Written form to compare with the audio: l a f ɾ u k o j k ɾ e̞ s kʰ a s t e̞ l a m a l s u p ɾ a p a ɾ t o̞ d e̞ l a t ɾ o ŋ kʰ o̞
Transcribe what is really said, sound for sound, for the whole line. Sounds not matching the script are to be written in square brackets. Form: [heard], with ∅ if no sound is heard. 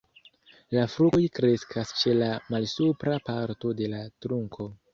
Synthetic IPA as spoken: l a f ɾ u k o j k ɾ e̞ s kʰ a s [t͡ʃ] e̞ l a m a l s u p ɾ a p a ɾ t o̞ d e̞ l a t ɾ [u] ŋ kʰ o̞

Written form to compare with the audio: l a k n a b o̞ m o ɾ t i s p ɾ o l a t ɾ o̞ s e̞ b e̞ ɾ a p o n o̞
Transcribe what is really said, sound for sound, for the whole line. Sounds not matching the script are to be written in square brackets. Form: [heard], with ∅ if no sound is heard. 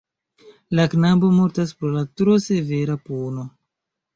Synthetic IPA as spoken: l a k n a b o̞ m o ɾ t [a] s p ɾ o l a t ɾ o̞ s e̞ [v] e̞ ɾ a p o n o̞

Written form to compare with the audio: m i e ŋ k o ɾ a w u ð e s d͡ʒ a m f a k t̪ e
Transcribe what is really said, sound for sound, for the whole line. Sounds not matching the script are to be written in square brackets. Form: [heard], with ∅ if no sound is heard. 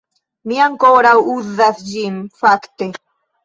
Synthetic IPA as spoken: m i [a] ŋ k o ɾ a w u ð [a] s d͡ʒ [i] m f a k t̪ e

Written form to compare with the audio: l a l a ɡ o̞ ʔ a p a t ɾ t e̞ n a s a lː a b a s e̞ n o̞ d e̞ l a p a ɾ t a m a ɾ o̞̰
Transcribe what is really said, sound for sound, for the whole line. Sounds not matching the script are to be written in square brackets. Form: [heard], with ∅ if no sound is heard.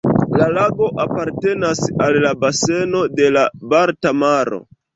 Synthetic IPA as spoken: l a l a ɡ o̞ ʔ a p a [∅] ɾ t e̞ n a s a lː a b a s e̞ n o̞ d e̞ l a [b] a ɾ t a m a ɾ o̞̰

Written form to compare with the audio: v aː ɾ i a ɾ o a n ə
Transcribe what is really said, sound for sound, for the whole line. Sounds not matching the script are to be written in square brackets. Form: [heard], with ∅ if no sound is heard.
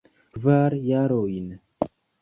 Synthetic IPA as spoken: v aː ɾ [j] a ɾ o [i] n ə

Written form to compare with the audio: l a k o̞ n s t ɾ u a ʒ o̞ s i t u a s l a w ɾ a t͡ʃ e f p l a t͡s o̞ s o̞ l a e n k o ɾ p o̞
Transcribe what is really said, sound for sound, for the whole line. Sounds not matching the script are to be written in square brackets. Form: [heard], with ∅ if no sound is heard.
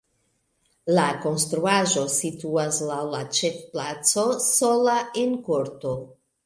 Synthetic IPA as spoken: l a k o̞ n s t ɾ u a ʒ o̞ s i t u a s l a w [l] a t͡ʃ e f p l a t͡s o̞ s o̞ l a e n k o ɾ [t] o̞

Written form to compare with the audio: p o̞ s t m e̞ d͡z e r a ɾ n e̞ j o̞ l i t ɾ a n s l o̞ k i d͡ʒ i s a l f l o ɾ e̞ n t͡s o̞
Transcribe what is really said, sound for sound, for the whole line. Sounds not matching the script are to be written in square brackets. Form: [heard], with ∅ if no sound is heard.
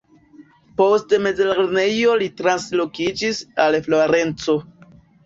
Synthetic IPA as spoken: p o̞ s t m e̞ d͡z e [l] a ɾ n e̞ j o̞ l i t ɾ a n s l o̞ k i d͡ʒ i s a l f l o ɾ e̞ n t͡s o̞

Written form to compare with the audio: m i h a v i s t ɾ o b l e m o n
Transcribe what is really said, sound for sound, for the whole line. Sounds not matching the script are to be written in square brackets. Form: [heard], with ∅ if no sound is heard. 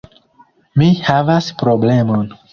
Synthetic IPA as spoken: m i h a v [a] s [p] ɾ o b l e m o n

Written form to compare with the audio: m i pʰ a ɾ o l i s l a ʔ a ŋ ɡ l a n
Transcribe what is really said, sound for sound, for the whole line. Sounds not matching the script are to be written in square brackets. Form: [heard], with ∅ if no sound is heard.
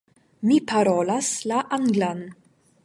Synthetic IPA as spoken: m i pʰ a ɾ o l [a] s l a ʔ a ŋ ɡ l a n

